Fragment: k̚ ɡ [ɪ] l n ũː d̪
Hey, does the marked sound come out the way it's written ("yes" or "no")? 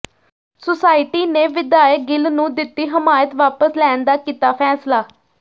yes